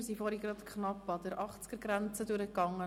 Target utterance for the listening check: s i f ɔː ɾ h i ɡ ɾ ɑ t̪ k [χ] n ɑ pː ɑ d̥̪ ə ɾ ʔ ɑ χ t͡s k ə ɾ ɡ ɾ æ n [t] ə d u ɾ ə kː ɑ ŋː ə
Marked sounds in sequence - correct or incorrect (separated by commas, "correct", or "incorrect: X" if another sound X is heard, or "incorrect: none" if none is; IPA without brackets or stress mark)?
correct, incorrect: t͡s